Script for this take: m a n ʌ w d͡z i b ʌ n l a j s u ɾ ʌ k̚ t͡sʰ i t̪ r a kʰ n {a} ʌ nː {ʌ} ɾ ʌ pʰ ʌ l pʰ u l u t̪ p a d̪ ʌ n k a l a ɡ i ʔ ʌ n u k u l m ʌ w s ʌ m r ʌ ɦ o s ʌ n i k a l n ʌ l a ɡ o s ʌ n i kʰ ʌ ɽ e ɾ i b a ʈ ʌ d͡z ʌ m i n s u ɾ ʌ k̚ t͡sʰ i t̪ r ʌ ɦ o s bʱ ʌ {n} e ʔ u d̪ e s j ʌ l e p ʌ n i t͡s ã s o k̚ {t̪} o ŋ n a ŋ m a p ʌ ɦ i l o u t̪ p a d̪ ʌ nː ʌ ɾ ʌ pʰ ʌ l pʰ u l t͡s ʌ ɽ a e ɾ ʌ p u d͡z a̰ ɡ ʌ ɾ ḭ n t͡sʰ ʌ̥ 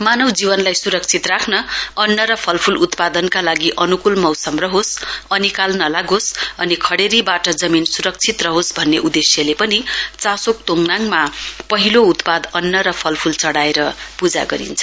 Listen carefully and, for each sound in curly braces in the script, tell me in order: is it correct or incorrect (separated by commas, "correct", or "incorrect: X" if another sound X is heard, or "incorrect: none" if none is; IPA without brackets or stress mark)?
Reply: incorrect: ʌ, correct, incorrect: nː, correct